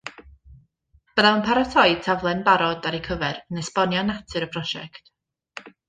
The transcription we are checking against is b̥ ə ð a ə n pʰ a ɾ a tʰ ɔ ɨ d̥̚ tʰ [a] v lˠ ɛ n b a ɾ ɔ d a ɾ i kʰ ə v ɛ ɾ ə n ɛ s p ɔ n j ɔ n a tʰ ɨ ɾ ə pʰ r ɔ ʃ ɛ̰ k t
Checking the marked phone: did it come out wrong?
no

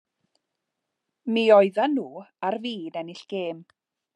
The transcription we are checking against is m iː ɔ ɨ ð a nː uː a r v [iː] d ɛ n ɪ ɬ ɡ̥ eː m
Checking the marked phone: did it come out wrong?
no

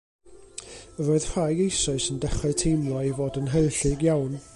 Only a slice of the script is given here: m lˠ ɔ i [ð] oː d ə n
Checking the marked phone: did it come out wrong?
yes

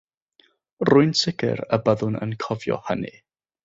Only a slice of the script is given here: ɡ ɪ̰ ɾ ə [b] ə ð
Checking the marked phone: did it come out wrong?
no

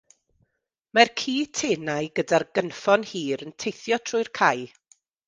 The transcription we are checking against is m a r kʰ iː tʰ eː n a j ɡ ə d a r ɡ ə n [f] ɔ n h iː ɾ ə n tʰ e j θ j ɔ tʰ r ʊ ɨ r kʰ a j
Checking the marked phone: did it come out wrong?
no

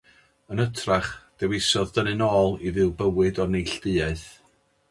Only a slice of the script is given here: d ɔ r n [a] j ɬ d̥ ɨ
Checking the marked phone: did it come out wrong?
yes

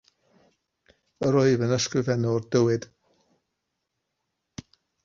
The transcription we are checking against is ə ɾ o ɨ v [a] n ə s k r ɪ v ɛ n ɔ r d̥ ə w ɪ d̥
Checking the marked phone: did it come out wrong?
yes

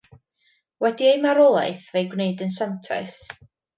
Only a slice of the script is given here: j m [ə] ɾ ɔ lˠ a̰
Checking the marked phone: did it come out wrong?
yes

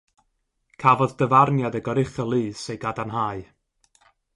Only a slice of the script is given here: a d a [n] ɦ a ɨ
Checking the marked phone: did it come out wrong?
no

